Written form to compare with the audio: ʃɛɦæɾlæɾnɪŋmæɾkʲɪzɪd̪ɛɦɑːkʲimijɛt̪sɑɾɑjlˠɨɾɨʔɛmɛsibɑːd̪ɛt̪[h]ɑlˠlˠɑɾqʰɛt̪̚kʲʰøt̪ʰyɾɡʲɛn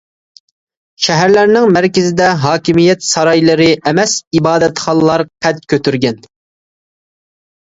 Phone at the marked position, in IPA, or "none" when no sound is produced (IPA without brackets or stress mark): χ